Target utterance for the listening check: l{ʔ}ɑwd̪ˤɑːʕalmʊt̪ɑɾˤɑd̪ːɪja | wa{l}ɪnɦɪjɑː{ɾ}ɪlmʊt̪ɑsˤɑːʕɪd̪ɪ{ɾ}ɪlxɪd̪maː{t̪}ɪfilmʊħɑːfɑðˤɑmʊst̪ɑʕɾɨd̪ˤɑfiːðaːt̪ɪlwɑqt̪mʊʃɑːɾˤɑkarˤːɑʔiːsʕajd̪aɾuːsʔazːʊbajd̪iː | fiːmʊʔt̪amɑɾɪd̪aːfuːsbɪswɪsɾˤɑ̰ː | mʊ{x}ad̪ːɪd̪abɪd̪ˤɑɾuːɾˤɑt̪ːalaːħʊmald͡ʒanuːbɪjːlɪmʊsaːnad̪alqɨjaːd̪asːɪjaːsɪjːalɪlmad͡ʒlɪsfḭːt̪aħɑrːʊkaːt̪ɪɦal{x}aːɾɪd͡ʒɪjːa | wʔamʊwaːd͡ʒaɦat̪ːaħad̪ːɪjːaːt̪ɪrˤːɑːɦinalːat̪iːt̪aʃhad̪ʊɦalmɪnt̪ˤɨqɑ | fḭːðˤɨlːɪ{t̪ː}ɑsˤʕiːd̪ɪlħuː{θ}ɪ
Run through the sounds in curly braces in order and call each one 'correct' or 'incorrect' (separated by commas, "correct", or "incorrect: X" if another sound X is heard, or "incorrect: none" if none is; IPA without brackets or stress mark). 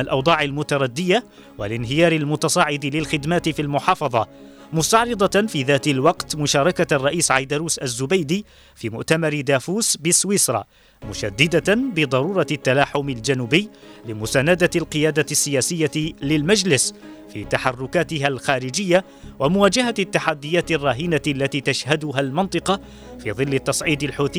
correct, correct, correct, incorrect: l, correct, incorrect: ʃ, correct, correct, correct